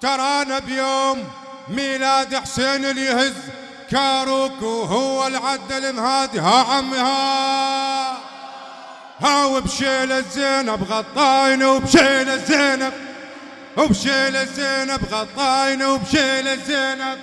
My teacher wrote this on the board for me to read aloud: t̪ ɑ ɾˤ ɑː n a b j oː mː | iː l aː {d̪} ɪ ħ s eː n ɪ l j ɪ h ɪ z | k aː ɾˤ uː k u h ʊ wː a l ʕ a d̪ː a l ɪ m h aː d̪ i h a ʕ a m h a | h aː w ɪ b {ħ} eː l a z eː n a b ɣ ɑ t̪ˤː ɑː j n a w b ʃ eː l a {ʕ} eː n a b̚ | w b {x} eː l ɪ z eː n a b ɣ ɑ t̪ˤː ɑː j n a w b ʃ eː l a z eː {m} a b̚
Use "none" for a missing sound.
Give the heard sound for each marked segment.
d̪, ʃ, z, ʃ, n

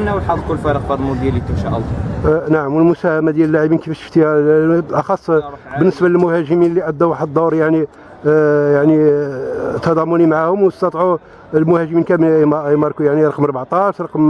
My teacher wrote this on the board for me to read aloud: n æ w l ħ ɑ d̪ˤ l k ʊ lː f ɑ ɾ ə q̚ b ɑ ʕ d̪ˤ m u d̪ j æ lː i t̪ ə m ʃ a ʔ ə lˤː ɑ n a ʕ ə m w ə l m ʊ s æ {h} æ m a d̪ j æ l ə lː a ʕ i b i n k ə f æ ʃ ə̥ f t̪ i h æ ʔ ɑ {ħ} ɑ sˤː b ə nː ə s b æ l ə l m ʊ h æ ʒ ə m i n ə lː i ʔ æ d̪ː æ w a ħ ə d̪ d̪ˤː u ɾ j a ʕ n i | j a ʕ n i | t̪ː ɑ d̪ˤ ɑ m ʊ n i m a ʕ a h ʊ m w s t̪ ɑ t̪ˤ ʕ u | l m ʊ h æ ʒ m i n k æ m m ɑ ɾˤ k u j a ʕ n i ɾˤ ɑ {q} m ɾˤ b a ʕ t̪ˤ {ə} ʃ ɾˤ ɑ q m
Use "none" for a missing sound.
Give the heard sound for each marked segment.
h, x, q, ɑ

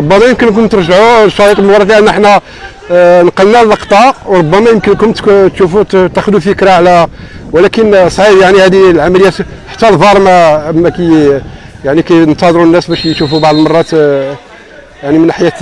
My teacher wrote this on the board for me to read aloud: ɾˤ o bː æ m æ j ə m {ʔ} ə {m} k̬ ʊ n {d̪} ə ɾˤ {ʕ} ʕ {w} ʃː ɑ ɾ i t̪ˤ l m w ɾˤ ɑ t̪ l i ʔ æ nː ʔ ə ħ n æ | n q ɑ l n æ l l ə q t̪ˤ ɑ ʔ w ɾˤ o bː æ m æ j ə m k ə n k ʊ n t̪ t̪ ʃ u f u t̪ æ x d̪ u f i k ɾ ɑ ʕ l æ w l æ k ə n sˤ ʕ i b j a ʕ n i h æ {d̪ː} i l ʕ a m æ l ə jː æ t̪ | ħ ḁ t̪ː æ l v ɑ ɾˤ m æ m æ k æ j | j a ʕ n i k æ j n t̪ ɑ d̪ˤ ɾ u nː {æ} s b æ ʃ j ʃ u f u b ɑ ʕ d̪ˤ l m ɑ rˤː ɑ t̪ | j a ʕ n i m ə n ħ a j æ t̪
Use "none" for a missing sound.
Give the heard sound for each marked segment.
k, n, t̪, ʒ, u, d̪, æ

